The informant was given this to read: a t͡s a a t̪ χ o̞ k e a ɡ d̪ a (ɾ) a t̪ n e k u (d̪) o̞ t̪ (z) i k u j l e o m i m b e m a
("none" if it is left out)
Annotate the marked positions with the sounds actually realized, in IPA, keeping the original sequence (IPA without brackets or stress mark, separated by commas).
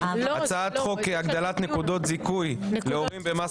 l, d̪, z